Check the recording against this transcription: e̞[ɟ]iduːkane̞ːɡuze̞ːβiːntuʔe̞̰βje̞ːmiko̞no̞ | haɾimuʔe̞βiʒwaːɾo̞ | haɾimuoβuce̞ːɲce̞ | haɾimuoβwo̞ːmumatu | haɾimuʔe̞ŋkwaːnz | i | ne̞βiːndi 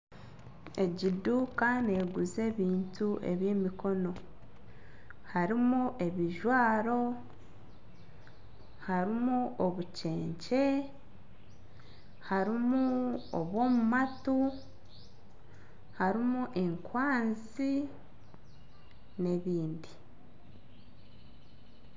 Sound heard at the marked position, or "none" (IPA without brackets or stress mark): ɟ